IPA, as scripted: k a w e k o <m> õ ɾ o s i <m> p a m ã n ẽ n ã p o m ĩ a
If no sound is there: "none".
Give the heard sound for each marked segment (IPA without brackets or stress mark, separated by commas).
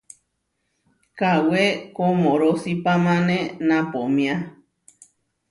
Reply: m, none